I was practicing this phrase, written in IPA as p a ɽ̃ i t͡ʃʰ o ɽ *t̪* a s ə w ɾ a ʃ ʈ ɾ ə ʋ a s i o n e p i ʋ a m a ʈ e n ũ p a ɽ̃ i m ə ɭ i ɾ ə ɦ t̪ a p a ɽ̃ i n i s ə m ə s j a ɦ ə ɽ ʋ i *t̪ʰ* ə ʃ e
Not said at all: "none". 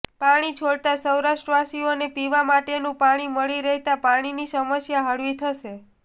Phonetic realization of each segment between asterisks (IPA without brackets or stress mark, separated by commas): t̪, t̪ʰ